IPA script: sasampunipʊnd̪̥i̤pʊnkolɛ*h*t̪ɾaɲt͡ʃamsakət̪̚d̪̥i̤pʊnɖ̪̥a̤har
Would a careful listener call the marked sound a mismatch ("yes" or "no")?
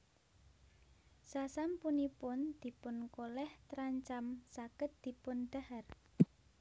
no